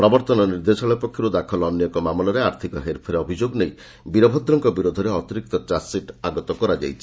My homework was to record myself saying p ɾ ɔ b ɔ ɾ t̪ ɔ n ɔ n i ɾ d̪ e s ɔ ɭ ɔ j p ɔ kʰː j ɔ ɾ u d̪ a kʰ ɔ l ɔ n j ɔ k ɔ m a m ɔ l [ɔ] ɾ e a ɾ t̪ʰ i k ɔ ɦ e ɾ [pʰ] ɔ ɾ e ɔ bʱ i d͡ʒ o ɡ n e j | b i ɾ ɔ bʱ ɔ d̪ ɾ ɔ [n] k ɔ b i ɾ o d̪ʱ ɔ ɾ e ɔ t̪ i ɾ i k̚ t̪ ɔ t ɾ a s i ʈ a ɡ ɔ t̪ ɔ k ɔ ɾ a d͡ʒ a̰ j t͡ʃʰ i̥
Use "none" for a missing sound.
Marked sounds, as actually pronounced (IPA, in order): ɔ, pʰ, ŋ

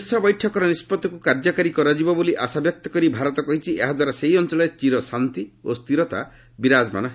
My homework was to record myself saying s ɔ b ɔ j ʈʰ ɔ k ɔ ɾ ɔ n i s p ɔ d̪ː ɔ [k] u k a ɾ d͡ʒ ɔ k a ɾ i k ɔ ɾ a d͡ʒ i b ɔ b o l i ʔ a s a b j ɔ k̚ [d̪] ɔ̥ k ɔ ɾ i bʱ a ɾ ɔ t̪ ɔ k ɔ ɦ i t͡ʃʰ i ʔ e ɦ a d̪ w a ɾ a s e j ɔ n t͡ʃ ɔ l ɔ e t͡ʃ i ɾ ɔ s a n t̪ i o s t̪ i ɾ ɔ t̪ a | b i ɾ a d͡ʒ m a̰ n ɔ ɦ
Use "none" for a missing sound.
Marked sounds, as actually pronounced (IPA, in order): k, t̪

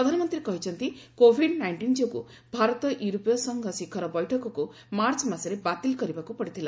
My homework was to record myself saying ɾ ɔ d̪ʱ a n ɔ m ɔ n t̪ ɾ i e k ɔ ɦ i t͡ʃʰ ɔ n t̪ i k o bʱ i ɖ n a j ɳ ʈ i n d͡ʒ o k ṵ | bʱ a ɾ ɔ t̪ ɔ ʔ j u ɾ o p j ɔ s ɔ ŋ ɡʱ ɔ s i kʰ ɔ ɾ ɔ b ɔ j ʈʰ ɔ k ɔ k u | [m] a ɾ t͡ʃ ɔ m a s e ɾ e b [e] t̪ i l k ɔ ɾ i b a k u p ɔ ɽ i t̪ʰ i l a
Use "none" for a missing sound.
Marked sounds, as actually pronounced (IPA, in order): m, a

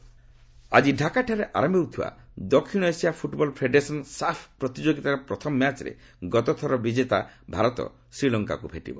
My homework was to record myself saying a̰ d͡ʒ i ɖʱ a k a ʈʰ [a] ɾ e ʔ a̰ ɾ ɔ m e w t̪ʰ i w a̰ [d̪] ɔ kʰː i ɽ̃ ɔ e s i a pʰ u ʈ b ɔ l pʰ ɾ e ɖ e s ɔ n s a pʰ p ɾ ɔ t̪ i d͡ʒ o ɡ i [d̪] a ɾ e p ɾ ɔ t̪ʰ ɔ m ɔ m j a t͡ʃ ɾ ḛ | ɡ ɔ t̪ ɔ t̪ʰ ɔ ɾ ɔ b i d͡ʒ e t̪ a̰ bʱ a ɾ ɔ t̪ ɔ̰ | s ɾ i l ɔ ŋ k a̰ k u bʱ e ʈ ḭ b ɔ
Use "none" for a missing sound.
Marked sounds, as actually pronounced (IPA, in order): a, d̪, t̪

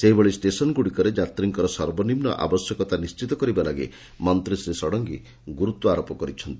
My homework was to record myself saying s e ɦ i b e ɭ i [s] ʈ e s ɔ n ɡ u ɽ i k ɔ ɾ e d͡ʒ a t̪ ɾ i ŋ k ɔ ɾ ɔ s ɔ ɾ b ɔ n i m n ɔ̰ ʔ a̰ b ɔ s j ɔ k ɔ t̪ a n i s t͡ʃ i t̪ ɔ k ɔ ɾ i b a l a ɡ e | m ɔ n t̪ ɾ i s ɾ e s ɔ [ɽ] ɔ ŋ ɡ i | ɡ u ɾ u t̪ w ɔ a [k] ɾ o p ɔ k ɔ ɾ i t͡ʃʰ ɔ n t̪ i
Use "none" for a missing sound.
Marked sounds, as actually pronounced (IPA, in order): s, ɽ, none

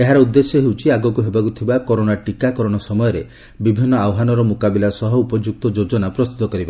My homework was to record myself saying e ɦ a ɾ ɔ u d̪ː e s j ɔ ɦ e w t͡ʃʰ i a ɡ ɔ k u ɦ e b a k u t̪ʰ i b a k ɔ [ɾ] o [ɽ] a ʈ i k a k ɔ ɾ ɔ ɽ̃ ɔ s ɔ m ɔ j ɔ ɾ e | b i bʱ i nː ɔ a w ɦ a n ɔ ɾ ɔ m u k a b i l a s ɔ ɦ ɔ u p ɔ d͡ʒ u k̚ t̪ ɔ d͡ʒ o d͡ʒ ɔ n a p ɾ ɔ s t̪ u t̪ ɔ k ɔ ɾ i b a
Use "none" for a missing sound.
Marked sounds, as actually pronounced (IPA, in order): ɾ, ɽ

